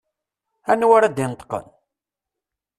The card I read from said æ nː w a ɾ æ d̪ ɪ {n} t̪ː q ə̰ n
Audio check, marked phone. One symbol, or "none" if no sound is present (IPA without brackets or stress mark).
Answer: n